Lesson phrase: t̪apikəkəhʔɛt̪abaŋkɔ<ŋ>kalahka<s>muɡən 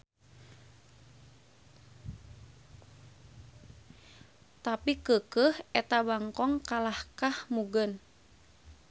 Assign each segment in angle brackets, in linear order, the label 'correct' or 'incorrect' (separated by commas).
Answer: correct, incorrect